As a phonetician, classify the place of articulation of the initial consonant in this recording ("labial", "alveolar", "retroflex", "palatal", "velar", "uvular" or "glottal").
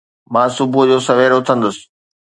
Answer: labial